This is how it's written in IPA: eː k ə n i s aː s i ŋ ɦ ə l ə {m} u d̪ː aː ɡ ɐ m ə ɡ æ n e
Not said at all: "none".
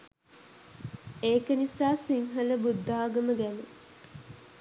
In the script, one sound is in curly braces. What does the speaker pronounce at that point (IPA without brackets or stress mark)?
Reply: b